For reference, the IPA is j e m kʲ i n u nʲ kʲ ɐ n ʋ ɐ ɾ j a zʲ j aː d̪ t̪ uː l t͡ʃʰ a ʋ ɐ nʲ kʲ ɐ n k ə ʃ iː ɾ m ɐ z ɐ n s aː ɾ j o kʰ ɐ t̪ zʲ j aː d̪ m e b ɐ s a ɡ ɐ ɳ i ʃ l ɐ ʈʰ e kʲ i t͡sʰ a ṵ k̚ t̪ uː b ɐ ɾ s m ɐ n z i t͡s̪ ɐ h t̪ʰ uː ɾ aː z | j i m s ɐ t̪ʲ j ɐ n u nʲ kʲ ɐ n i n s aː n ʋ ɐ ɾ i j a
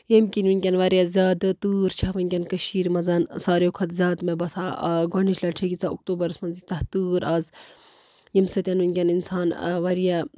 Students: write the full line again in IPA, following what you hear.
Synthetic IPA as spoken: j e m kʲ i n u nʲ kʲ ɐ n ʋ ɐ ɾ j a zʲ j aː d̪ t̪ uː ɾ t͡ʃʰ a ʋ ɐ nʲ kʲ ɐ n k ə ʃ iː ɾ m ɐ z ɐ n s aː ɾ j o kʰ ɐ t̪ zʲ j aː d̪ m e b ɐ s a ɡ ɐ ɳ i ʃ l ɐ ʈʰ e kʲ i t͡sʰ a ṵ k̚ t̪ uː b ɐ ɾ s m ɐ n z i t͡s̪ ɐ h t̪ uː ɾ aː z | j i m s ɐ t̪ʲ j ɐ n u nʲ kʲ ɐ n i n s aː n ʋ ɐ ɾ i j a